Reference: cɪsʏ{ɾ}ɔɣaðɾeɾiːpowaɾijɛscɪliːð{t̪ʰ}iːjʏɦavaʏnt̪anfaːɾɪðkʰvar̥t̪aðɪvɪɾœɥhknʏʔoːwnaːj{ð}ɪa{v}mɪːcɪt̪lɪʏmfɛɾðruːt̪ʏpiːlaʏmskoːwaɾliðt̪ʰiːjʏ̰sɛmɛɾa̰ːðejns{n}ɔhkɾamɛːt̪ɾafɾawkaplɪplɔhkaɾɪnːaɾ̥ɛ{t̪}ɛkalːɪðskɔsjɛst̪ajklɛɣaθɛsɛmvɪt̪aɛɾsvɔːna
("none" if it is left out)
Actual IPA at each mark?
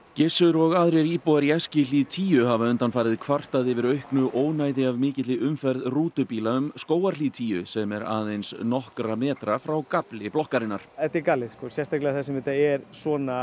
ɾ, t̪ʰ, ð, v, n, t̪

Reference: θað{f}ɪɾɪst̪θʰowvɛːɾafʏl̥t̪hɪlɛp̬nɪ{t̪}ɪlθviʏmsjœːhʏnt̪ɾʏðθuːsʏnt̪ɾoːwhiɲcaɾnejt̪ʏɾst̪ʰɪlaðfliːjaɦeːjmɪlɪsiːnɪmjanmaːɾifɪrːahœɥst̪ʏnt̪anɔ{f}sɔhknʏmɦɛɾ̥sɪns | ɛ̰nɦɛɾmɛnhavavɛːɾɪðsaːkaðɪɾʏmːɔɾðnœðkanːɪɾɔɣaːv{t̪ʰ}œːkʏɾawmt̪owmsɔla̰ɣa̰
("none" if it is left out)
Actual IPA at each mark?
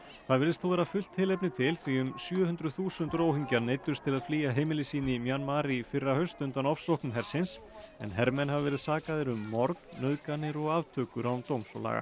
v, t̪ʰ, f, t̪ʰ

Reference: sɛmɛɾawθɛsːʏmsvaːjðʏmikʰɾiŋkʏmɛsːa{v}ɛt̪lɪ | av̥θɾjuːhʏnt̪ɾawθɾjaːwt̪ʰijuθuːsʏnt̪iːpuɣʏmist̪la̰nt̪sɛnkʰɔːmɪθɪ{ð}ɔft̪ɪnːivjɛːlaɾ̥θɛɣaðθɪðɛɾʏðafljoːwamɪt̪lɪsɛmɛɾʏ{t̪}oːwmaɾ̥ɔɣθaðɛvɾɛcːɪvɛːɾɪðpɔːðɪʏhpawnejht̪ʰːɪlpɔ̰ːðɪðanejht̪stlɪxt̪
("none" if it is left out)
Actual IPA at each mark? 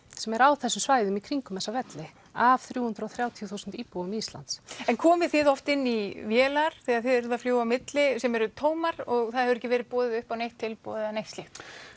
v, ð, t̪ʰ

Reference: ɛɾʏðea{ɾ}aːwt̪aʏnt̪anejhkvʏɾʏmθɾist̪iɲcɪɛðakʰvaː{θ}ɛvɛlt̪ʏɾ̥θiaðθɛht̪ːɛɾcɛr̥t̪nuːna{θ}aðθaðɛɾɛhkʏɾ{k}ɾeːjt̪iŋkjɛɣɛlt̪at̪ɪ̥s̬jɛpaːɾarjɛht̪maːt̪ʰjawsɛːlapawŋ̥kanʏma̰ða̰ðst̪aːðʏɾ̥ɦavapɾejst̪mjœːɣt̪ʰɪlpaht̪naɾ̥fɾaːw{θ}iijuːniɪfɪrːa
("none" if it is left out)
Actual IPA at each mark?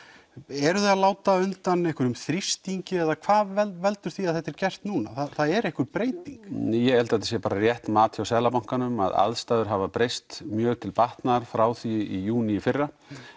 l, ð, θ, p, θ

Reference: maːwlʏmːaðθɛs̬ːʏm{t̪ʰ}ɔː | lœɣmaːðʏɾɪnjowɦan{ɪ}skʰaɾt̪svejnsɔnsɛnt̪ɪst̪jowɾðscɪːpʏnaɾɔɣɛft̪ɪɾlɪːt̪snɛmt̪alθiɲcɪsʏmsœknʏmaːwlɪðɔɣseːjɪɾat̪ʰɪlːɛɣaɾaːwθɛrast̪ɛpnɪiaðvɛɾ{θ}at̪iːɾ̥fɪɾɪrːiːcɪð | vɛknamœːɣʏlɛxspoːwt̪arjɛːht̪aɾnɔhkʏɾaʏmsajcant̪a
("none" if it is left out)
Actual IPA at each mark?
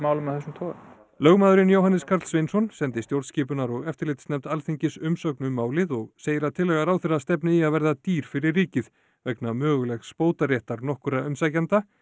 t̪ʰ, ɪ, ð

